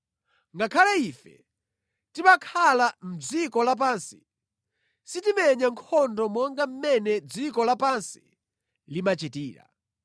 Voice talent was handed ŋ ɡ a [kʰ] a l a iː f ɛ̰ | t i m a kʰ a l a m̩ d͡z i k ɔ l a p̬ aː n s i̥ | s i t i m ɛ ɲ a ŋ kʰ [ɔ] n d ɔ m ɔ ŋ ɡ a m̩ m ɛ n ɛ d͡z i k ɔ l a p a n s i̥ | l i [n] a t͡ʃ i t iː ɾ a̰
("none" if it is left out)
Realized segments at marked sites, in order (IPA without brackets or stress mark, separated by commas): kʰ, ɔ, m